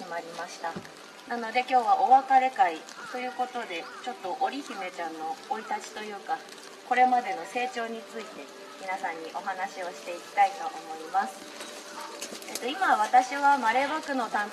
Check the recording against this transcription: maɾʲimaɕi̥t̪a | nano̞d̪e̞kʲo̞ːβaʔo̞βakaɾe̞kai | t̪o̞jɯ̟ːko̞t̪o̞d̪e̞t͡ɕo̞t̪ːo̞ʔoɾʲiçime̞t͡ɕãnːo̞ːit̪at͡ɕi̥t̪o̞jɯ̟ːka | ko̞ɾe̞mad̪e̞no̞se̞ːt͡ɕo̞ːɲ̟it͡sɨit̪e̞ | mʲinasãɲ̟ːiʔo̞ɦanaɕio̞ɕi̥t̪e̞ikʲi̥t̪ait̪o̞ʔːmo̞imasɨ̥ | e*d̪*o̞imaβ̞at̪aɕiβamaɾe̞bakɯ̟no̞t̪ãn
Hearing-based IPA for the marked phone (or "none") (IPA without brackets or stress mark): t̪